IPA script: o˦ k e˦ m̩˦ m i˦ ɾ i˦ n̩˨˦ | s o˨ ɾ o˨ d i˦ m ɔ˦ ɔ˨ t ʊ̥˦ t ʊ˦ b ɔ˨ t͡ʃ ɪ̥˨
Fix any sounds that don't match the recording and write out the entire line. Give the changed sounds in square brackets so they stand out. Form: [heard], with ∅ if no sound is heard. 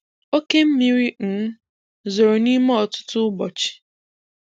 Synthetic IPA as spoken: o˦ k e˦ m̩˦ m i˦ ɾ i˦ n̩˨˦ | [z] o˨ ɾ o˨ [n] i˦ m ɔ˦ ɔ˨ t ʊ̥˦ t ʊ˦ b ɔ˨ t͡ʃ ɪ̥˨